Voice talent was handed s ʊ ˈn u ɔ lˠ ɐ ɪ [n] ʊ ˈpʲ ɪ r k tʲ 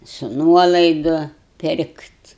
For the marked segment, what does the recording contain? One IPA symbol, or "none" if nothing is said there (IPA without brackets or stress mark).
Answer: d